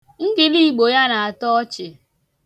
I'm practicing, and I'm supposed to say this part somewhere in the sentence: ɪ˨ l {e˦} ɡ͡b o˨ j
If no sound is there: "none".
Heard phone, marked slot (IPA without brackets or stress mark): i˦